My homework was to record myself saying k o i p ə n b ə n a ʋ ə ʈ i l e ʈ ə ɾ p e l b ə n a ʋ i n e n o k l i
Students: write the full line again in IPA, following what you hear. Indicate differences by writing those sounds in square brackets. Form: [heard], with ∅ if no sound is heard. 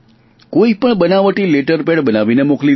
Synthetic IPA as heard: k o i p ə [ɳ] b ə n a ʋ ə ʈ i l e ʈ ə ɾ p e [ɽ] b ə n a ʋ i n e [m] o k l i